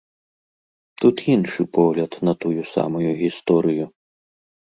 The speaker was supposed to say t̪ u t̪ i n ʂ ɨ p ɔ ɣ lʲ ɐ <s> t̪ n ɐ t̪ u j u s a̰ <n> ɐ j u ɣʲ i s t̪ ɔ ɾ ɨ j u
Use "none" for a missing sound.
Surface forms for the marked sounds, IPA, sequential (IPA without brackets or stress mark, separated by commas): none, m